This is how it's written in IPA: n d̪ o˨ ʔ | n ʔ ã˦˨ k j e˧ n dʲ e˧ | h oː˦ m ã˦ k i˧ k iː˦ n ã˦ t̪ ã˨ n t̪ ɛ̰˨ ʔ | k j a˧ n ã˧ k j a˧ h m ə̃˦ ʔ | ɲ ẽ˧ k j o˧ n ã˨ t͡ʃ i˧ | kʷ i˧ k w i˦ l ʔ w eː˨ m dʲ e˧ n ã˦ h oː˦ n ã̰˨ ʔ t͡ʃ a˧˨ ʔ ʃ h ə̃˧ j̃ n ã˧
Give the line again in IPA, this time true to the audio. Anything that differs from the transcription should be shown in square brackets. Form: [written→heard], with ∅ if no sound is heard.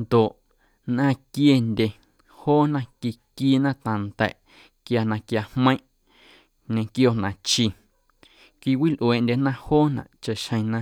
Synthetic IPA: n d̪ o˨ ʔ | n ʔ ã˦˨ k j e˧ n dʲ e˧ | h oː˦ [m→n] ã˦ k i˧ k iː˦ n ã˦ t̪ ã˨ n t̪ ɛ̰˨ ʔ | k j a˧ n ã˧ k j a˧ h m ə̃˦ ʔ | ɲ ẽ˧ k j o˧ n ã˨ t͡ʃ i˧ | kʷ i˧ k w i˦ l ʔ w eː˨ [m→n] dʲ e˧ n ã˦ h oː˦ n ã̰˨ ʔ t͡ʃ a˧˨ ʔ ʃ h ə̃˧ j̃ n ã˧